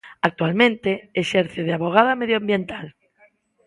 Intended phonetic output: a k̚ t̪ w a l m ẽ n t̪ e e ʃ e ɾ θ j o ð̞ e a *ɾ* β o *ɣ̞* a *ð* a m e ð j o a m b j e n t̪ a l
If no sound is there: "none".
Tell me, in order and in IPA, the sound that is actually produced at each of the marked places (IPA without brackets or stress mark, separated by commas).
none, ɣ̞, ð